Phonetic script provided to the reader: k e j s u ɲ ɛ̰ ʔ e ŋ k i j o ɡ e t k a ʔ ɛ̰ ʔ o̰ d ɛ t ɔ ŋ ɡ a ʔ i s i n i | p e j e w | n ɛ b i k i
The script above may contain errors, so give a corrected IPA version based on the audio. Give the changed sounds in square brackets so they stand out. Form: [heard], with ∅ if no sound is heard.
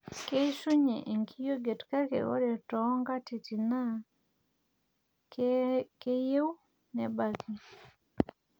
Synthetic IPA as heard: k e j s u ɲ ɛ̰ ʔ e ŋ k i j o ɡ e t k a [k] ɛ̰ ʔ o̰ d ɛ t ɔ ŋ ɡ a [t] i [t] i n [a] | [k] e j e w | n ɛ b [a] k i